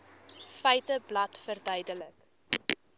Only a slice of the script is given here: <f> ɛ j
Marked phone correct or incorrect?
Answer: correct